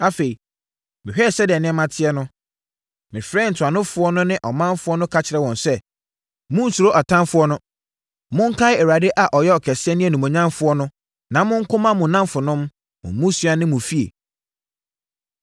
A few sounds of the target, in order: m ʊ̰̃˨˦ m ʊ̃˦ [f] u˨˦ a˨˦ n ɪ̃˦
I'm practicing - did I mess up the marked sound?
yes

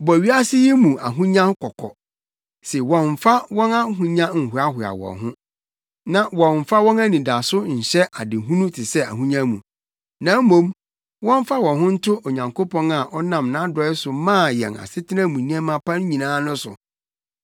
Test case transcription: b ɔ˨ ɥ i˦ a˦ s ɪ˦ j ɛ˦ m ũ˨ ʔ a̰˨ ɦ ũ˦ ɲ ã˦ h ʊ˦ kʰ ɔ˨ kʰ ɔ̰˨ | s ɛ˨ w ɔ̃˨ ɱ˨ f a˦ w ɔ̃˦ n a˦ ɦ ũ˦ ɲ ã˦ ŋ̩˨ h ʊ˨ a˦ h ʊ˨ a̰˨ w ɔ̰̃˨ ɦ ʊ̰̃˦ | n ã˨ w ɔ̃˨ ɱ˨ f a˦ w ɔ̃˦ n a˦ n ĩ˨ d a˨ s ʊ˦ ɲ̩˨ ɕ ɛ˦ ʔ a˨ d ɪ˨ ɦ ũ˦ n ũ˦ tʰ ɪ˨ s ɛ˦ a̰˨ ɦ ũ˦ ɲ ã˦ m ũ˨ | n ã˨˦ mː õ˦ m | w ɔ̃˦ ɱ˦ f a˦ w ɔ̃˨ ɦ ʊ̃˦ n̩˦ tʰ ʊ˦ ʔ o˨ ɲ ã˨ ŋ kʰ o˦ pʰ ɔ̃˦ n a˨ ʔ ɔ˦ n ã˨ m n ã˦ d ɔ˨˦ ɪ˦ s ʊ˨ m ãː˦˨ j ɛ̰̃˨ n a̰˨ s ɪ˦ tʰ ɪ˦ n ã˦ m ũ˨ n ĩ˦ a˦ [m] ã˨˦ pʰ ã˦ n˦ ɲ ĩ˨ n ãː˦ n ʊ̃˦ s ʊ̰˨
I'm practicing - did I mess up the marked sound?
no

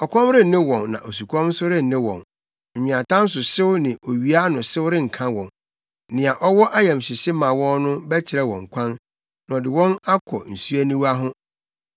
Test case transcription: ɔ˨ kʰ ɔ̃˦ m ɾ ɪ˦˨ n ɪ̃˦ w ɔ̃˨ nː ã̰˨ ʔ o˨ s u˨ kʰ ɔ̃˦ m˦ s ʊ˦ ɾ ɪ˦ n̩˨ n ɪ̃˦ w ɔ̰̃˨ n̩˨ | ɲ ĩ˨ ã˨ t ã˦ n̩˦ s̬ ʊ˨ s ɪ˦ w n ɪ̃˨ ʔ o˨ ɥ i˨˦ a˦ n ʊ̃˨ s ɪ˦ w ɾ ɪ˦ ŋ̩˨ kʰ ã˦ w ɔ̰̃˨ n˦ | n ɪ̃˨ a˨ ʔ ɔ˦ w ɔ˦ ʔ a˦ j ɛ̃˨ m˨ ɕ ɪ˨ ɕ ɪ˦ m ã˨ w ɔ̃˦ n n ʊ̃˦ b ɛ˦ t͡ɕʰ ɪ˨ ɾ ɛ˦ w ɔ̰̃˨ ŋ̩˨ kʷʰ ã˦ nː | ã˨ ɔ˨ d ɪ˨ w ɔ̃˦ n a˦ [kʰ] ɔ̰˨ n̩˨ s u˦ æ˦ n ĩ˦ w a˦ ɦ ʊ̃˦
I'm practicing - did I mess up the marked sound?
no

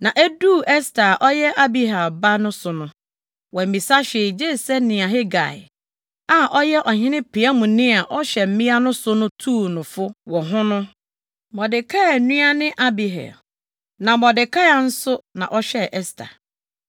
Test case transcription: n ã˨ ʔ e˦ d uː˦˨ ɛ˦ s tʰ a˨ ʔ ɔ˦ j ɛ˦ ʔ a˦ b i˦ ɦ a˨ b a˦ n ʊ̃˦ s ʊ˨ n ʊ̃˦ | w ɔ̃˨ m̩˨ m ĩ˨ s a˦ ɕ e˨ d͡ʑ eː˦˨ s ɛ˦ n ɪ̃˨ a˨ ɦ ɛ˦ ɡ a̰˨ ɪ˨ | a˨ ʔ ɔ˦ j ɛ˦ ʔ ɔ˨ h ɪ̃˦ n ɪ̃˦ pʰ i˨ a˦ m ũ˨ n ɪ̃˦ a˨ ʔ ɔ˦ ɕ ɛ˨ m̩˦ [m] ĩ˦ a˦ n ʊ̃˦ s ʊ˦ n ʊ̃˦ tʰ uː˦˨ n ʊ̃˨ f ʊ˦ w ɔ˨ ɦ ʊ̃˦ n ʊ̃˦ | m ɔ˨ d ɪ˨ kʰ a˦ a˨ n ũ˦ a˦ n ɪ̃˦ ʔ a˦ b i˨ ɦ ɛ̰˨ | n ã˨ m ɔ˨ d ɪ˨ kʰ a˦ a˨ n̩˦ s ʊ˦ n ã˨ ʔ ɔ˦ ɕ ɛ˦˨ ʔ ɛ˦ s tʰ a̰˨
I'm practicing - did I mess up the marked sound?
no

